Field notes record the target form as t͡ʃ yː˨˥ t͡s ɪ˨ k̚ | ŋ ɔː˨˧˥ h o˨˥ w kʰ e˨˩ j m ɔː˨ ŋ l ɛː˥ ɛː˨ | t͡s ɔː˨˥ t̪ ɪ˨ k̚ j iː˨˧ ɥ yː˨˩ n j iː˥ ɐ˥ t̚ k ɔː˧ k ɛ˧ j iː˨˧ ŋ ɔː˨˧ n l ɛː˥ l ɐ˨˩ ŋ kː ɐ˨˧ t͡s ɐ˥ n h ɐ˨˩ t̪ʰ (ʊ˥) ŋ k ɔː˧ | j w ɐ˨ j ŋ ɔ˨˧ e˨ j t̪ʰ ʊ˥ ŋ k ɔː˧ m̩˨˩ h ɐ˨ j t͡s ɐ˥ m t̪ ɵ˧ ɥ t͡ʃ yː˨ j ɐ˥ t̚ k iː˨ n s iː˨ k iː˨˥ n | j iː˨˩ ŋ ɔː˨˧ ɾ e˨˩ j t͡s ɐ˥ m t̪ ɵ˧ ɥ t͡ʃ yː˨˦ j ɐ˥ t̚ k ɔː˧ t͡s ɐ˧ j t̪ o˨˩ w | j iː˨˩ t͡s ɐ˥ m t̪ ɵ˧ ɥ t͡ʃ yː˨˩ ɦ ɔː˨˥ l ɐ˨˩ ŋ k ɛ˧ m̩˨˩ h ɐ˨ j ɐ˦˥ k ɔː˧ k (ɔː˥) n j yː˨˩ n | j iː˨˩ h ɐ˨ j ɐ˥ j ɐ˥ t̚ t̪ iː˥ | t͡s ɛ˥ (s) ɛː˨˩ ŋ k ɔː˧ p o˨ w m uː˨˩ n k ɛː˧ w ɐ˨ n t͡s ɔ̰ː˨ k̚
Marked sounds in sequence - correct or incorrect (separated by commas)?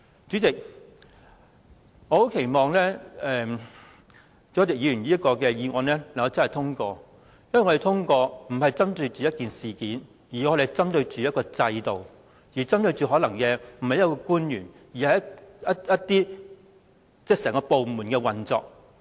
correct, incorrect, correct